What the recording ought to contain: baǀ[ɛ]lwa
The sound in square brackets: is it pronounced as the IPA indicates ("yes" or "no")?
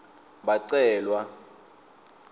no